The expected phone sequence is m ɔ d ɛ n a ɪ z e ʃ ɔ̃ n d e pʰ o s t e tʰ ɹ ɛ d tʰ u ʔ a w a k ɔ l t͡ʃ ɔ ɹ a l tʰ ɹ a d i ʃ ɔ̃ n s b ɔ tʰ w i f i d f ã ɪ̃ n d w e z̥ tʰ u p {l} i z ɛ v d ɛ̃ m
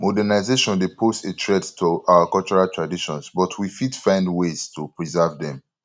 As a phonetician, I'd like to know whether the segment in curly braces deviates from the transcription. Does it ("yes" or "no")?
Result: yes